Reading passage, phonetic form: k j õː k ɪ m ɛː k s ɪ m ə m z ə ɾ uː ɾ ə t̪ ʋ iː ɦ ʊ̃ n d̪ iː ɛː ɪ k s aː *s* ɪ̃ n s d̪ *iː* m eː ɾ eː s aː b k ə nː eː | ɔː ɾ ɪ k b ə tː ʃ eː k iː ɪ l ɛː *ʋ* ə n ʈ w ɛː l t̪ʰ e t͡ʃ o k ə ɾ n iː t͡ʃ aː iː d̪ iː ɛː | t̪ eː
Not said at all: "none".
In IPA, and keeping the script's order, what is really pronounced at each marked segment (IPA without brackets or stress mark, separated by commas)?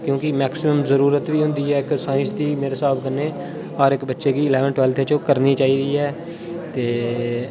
none, iː, ʋ